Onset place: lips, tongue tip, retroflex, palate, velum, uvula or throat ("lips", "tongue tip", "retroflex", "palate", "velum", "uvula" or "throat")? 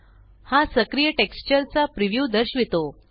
throat